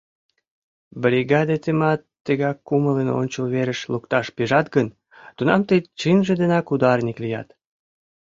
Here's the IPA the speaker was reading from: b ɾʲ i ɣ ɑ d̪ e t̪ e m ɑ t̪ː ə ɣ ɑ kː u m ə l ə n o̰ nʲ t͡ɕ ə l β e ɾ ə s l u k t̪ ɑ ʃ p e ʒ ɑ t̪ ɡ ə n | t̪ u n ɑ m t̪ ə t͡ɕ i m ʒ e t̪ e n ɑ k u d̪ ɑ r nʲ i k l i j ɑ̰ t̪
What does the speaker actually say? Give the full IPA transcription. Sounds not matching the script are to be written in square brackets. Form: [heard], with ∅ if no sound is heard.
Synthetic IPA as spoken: b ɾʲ i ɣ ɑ d̪ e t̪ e m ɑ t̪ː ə ɣ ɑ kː u m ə l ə n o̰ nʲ t͡ɕ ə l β e ɾ ə [ʃ] l u k t̪ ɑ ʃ p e ʒ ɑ t̪ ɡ ə n | t̪ u n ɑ m t̪ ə t͡ɕ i [n] ʒ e [d̪] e n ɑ k u d̪ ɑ r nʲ i k l i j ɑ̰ t̪